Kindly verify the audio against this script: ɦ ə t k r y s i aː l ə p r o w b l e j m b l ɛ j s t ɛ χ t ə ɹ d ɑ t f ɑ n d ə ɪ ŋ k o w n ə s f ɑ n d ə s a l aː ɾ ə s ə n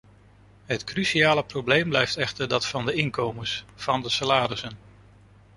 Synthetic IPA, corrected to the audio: ɦ ə t k r y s i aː l ə p r o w b l e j m b l ɛ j f t ɛ χ t ə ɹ d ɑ t f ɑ n d ə ɪ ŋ k o w m ə s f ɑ n d ə s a l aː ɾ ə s ə n